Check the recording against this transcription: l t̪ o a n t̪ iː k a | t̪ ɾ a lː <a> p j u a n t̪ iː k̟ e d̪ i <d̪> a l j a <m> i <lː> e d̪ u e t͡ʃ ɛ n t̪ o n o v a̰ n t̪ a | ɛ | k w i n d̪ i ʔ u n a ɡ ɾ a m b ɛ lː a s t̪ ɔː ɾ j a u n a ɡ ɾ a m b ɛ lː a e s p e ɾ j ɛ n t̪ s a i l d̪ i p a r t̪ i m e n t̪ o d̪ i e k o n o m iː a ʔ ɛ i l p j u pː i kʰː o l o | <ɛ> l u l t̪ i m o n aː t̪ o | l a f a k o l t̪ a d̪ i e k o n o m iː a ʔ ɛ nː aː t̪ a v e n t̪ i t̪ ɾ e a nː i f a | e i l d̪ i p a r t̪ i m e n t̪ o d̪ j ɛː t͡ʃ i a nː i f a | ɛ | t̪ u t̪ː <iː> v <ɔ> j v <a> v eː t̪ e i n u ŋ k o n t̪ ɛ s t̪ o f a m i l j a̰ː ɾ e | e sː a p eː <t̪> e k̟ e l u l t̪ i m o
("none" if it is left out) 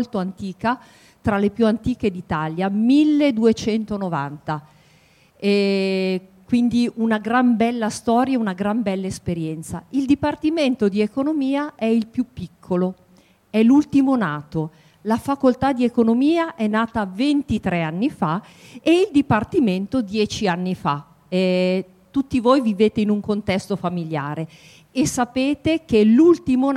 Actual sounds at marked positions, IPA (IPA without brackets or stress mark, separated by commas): e, t̪, m, lː, ɛ, i, o, i, t̪